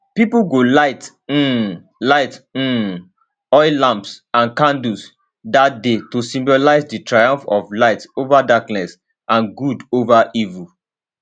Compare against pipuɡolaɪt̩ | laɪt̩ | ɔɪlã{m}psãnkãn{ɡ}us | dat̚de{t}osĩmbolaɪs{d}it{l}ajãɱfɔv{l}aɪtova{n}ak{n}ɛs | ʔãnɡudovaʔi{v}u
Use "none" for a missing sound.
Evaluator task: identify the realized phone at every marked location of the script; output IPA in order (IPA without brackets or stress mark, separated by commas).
m, d, t, d, ɹ, l, d, n, v